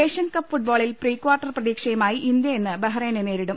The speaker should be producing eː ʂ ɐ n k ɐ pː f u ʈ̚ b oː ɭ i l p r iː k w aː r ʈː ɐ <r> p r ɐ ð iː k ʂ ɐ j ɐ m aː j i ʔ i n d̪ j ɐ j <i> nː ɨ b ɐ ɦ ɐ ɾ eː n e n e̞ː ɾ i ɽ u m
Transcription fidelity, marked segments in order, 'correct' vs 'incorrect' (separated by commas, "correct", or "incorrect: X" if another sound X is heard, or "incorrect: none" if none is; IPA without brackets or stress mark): correct, incorrect: e